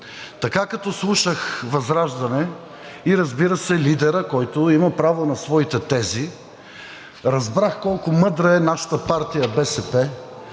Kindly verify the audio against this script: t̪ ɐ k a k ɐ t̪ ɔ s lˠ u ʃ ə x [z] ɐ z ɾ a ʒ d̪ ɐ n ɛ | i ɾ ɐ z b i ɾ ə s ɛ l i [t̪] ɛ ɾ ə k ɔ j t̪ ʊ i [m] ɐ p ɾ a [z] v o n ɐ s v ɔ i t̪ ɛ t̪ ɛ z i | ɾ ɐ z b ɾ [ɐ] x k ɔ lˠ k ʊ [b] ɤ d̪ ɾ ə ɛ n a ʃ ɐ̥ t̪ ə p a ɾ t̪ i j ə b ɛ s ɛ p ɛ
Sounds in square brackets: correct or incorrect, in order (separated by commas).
incorrect, incorrect, correct, incorrect, incorrect, incorrect